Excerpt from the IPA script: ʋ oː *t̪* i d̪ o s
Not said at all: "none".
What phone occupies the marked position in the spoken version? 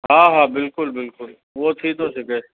t̪ʰ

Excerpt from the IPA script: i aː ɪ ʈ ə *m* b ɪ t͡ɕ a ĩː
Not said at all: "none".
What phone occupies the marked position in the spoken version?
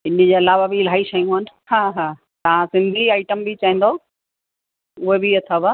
m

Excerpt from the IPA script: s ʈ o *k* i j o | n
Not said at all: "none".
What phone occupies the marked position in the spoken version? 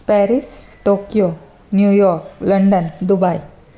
k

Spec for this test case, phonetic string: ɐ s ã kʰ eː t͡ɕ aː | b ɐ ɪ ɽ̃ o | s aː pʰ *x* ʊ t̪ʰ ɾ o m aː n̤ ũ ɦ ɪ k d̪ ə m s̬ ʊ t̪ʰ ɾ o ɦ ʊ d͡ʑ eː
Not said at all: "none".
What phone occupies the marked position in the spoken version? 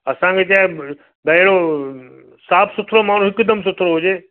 s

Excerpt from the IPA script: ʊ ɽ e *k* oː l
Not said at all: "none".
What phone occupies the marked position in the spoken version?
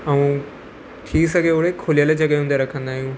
kʰ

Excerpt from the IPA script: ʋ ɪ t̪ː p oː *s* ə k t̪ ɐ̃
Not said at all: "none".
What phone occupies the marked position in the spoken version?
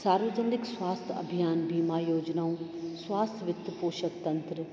ʃ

